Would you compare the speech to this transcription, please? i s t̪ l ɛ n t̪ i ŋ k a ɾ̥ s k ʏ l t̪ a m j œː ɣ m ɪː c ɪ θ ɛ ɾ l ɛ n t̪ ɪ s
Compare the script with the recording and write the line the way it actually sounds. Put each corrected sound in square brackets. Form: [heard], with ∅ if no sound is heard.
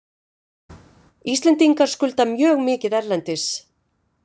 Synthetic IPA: i s t̪ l ɛ n t̪ i ŋ k a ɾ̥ s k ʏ l t̪ a m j œː ɣ m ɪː c ɪ [ð] ɛ ɾ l ɛ n t̪ ɪ s